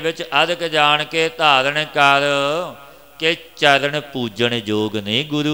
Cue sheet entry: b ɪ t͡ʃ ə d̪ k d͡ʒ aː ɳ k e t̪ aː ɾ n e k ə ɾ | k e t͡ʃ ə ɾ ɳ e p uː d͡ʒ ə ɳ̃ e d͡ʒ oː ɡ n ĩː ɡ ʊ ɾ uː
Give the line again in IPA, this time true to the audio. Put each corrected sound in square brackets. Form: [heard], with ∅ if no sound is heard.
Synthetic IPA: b ɪ t͡ʃ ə d̪ k d͡ʒ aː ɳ k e t̪ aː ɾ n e k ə ɾ | k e t͡ʃ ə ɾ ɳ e p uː d͡ʒ ə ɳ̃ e d͡ʒ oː ɡ n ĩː ɡ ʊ ɾ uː